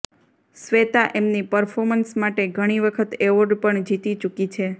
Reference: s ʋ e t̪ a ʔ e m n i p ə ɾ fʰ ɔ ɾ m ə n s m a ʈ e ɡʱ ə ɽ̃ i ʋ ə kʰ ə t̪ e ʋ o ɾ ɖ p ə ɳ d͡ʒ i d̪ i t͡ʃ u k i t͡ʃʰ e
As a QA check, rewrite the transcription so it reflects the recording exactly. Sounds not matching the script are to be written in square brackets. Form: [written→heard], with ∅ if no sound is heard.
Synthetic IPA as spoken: s ʋ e t̪ a ʔ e m n i p ə ɾ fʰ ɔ ɾ m ə n s m a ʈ e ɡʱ ə ɽ̃ i ʋ ə kʰ ə t̪ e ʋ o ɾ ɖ p ə ɳ d͡ʒ i [d̪→t̪] i t͡ʃ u k i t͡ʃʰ e

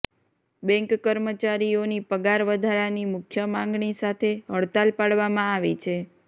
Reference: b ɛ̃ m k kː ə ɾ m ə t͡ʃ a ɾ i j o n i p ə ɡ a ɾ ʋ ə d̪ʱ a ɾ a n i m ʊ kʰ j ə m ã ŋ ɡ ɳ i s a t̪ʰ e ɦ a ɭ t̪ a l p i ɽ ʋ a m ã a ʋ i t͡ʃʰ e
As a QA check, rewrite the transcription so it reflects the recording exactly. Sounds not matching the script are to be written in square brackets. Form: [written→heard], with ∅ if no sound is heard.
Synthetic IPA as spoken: b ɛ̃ [m→ŋ] k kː ə ɾ m ə t͡ʃ a ɾ i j o n i p ə ɡ a ɾ ʋ ə d̪ʱ a ɾ a n i m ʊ kʰ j ə m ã ŋ ɡ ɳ i s a t̪ʰ e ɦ [a→ə] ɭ t̪ a l p [i→a] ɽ ʋ a m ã a ʋ i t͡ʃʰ e

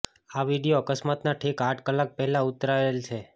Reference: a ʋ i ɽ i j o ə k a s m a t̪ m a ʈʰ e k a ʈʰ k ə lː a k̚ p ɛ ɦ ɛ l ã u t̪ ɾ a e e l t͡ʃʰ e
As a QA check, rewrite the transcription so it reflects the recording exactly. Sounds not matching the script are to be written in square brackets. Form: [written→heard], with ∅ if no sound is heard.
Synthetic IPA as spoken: a ʋ i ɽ i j o ə k [a→ə] s m a t̪ [m→n] a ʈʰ e k a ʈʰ k ə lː a k̚ p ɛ ɦ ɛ l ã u t̪ ɾ a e e l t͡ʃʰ e

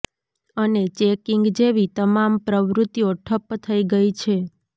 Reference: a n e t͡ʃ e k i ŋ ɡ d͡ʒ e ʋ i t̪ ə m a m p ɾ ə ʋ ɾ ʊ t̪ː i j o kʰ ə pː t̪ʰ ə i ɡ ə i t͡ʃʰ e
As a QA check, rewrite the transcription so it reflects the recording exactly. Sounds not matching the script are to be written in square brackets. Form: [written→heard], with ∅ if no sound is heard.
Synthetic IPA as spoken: [a→ə] n e t͡ʃ e k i ŋ ɡ d͡ʒ e ʋ i t̪ ə m a m p ɾ ə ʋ ɾ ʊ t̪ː i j o [kʰ→ʈʰ] ə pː t̪ʰ ə i ɡ ə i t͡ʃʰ e

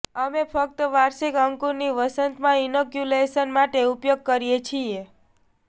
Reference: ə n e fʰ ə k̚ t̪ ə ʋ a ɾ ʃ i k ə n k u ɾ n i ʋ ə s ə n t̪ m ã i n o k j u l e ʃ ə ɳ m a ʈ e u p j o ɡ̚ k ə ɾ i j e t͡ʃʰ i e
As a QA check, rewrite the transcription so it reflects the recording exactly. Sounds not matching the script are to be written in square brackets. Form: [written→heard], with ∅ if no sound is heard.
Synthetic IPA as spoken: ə [n→m] e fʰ ə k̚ t̪ ə ʋ a ɾ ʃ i k ə [n→ŋ] k u ɾ n i ʋ ə s ə n t̪ m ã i n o k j u l e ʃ ə [ɳ→n] m a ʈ e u p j o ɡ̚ k ə ɾ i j e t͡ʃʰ i e

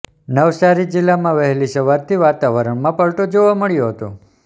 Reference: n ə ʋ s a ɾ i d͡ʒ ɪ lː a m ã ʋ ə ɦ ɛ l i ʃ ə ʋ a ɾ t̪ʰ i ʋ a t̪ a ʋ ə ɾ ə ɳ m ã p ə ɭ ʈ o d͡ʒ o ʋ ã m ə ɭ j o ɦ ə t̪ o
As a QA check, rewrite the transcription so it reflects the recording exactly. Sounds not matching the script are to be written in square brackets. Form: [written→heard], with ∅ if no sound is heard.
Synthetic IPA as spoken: n ə ʋ s a ɾ i d͡ʒ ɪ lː a m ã ʋ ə ɦ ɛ l i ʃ ə ʋ a ɾ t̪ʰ i ʋ a t̪ a ʋ ə ɾ ə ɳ m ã p ə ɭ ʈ o d͡ʒ o ʋ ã m ə ɭ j o ɦ ə t̪ o

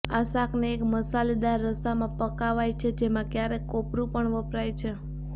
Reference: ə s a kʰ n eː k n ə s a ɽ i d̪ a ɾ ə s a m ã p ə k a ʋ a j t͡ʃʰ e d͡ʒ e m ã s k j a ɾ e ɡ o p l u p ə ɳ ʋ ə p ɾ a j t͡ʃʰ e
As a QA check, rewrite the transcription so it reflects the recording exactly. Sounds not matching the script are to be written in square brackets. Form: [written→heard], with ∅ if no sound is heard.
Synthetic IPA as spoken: [ə→a] s a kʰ n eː k [n→m] ə s a [ɽ→l] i d̪ a [ɾ→ɾː] ə s a m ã p ə k a ʋ a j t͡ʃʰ e d͡ʒ e m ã [s→∅] k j a ɾ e [ɡ→k] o p [l→ɾ] u p ə ɳ ʋ ə p ɾ a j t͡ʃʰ e

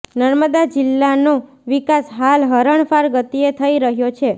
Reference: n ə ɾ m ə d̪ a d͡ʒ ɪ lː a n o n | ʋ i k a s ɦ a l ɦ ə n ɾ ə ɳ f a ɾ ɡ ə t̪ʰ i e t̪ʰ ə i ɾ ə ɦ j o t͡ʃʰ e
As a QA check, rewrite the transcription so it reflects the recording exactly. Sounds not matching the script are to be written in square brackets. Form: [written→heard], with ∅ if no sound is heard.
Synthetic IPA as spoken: n ə ɾ m ə d̪ a d͡ʒ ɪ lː a n o [n→∅] | ʋ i k a s ɦ a l ɦ ə [n→∅] ɾ ə ɳ f a ɾ ɡ ə [t̪ʰ→t̪] i e t̪ʰ ə i ɾ ə ɦ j o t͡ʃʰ e

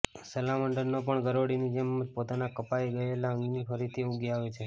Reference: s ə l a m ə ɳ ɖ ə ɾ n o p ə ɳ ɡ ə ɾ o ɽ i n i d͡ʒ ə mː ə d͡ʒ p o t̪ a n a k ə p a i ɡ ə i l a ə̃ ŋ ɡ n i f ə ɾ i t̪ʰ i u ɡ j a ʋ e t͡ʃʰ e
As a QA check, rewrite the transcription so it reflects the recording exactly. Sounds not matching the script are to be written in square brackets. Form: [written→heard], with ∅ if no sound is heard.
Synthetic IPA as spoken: s ə l a m ə ɳ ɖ ə ɾ n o p ə ɳ ɡ ə ɾ o ɽ i n i d͡ʒ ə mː ə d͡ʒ p o t̪ a n a k ə p a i ɡ ə [i→e] l a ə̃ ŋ ɡ n i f ə ɾ i t̪ʰ i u ɡ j a ʋ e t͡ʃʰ e

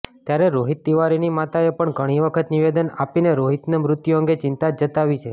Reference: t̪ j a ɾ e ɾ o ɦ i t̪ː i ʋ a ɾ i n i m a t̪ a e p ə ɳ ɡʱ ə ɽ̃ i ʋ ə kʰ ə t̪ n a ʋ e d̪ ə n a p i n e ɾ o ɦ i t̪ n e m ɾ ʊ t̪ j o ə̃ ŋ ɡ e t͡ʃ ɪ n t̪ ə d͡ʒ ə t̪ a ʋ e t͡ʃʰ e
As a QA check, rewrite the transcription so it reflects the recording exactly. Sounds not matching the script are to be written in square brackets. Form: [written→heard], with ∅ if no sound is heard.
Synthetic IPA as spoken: t̪ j a ɾ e ɾ o ɦ i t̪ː i ʋ a ɾ i n i m a t̪ a e p ə ɳ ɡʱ ə ɽ̃ i ʋ ə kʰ ə t̪ n [a→i] ʋ e d̪ ə n a p i n e ɾ o ɦ i t̪ n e m ɾ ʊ t̪ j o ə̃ ŋ ɡ e t͡ʃ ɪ n t̪ [ə→a] d͡ʒ ə t̪ a ʋ [e→i] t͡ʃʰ e

